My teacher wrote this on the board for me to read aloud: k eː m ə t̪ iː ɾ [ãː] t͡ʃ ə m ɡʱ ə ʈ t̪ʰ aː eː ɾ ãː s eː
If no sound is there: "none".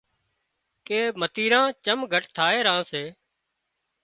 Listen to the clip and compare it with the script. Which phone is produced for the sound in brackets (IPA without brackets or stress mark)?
ãː